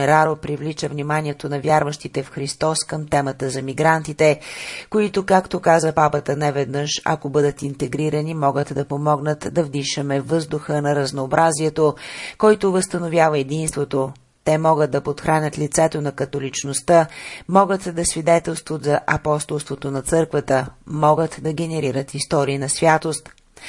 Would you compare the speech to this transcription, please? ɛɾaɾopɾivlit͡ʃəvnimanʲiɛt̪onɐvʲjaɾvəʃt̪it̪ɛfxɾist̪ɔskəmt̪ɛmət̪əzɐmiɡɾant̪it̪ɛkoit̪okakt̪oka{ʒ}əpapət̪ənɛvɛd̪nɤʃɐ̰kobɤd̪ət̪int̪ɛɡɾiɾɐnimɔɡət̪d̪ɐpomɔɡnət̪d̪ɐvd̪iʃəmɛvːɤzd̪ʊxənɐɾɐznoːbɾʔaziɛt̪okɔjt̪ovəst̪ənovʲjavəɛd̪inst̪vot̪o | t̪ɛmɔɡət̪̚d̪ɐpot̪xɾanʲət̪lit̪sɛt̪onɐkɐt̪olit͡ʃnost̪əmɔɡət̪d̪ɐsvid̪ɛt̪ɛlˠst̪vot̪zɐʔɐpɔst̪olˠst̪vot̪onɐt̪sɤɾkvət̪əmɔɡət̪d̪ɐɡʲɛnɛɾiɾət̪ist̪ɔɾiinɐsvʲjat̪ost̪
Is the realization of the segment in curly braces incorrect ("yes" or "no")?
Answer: yes